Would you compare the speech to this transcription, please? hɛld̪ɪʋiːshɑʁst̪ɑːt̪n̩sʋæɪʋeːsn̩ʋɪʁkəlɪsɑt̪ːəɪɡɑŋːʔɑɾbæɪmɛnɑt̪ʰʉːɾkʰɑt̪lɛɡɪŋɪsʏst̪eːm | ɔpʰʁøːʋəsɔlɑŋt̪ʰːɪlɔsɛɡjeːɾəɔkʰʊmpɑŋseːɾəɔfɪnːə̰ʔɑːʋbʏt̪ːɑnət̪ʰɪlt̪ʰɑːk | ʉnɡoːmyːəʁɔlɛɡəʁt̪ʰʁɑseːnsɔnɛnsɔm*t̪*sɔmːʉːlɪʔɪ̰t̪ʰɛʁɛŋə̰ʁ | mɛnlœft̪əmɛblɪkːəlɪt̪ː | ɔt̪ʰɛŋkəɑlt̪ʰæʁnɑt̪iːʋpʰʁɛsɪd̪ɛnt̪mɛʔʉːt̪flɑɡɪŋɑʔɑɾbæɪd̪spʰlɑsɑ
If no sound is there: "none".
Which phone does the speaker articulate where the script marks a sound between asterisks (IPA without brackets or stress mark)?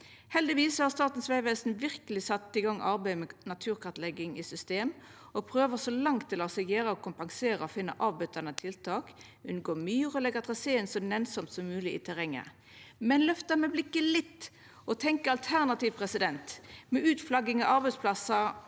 t̪